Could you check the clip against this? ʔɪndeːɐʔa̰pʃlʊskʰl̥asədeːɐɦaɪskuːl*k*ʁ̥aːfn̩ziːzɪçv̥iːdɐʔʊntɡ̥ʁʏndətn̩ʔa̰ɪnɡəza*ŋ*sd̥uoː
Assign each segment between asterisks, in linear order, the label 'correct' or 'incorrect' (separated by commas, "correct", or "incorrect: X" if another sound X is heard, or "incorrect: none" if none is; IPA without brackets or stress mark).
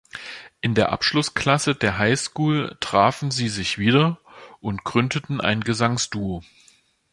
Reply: incorrect: t, correct